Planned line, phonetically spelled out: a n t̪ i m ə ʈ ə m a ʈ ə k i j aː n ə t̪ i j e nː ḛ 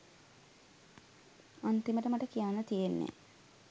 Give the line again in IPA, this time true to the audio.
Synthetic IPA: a n t̪ i m ə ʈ ə m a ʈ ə k i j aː n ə t̪ i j e nː ḛ

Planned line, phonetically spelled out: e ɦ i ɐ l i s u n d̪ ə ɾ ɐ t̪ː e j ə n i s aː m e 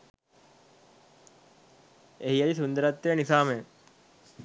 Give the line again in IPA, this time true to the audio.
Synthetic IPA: e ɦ i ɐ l i s u n d̪ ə ɾ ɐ t̪ː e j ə n i s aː m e

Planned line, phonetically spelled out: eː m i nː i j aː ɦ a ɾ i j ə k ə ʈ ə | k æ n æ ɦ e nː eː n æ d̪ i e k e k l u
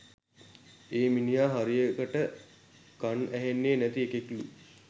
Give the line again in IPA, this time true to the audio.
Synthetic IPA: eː m i n i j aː ɦ a ɾ i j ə k ə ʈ ə | k a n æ ɦ e nː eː n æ t̪ i e k e k l u

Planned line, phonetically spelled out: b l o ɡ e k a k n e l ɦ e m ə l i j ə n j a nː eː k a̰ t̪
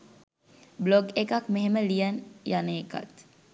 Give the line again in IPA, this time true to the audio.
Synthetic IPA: b l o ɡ e k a k m e ɦ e m ə l i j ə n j a n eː k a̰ t̪

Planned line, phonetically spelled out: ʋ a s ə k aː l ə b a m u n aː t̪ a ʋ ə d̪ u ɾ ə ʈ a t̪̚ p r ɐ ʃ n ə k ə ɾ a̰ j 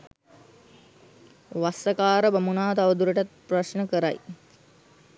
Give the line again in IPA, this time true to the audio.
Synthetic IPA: ʋ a s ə k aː ɾ ə b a m u n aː t̪ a ʋ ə d̪ u ɾ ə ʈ a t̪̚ p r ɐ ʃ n ə k ə ɾ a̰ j

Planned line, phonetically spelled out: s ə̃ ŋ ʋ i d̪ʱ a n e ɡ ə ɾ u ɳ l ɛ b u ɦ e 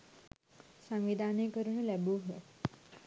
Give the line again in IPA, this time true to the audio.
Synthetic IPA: s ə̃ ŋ ʋ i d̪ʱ a n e k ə ɾ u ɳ l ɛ b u ɦ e

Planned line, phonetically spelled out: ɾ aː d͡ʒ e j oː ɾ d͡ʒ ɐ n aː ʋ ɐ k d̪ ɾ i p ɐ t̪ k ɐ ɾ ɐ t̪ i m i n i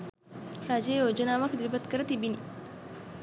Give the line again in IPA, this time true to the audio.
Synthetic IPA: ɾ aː d͡ʒ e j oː d͡ʒ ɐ n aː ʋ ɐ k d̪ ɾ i b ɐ t̪ k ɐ ɾ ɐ t̪ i b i n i

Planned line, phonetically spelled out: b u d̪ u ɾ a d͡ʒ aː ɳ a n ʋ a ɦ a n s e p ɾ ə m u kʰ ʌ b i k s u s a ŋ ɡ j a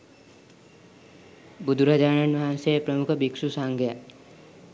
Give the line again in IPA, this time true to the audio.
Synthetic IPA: b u d̪ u ɾ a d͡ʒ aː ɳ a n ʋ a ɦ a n s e p ɾ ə m u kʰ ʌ b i k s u s a ŋ ɡ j a

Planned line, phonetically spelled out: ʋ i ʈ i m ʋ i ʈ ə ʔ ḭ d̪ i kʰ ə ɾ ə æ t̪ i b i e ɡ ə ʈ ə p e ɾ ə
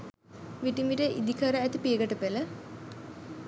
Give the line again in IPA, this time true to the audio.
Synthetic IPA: ʋ i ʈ i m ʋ i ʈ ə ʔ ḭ d̪ i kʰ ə ɾ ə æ t̪ i p i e ɡ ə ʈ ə p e l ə

